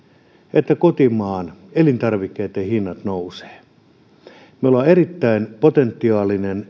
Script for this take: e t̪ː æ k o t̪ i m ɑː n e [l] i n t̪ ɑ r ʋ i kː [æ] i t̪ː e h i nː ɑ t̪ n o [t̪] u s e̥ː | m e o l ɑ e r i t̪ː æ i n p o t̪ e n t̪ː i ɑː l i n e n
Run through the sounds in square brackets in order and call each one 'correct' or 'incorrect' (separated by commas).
correct, incorrect, incorrect